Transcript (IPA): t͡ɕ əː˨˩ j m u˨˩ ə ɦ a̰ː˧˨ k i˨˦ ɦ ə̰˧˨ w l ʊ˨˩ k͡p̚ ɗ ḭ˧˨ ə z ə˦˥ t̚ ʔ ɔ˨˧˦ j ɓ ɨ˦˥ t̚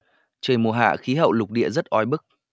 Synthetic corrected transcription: t͡ɕ əː˨˩ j m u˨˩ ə ɦ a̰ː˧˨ x i˨˦ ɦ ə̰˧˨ w l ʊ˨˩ k͡p̚ ɗ ḭ˧˨ ə z ə˦˥ t̚ ʔ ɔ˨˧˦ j ɓ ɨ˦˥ k̚